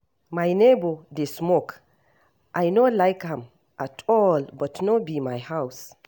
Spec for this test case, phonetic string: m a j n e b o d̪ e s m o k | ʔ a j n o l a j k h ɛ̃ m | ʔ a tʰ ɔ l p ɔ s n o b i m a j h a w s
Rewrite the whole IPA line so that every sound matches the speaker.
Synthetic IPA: m a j n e b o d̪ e s m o k | ʔ a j n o l a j k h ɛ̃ m | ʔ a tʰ ɔ l b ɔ t n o b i m a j h a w s